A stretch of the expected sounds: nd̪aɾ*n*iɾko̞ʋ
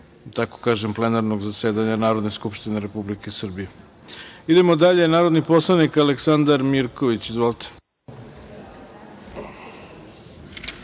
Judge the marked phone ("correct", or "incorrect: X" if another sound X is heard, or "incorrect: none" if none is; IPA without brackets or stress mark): incorrect: m